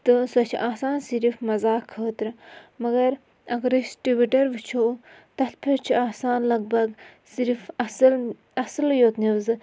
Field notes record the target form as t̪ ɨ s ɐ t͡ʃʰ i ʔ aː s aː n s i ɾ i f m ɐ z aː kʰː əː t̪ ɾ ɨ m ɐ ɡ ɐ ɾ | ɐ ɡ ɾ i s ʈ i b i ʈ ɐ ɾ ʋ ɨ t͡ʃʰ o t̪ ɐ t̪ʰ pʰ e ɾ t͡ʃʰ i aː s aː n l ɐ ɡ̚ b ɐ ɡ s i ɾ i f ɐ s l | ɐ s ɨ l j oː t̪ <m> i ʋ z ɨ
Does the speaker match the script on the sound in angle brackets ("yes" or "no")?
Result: no